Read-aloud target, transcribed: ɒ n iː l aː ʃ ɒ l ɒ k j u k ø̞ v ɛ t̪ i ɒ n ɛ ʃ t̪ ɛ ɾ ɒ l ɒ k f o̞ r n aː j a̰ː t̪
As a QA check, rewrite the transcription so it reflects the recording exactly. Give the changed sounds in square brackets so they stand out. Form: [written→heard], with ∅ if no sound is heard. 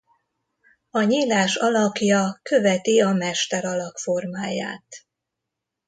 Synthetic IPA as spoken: ɒ [n→ɲ] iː l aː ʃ ɒ l ɒ k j [u→ɒ] k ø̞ v ɛ t̪ i ɒ [n→m] ɛ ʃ t̪ ɛ ɾ ɒ l ɒ k f o̞ r [n→m] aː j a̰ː t̪